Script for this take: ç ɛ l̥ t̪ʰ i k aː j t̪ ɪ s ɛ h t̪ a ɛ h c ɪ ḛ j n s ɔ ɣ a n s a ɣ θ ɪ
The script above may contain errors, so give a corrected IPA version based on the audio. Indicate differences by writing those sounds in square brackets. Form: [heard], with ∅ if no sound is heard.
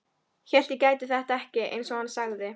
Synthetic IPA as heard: ç ɛ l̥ [t̪] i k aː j t̪ ɪ [θ] ɛ h t̪ a ɛ h c ɪ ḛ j n s ɔ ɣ a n s a ɣ [ð] ɪ